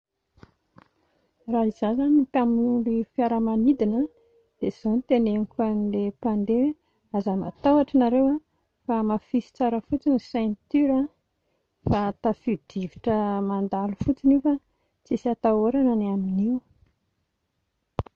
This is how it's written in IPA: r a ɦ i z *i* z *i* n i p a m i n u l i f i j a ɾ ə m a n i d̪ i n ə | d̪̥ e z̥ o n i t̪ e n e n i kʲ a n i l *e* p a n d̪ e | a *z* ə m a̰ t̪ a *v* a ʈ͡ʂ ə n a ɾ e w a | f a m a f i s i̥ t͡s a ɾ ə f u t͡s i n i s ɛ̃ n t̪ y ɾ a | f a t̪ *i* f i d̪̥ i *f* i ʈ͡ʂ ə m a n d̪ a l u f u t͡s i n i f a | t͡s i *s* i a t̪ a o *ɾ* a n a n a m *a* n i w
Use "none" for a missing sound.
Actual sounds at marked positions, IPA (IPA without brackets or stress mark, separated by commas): a, a, e, z, w, a, v, s, ɾ, i